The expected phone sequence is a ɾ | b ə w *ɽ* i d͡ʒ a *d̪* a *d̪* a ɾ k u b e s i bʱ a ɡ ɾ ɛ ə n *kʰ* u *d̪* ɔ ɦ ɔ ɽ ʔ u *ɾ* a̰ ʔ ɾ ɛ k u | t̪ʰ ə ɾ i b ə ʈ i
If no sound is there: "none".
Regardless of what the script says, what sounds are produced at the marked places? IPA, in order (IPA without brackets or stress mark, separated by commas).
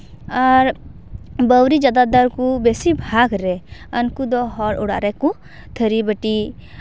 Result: ɾ, d̪, d̪, k, d̪, ɽ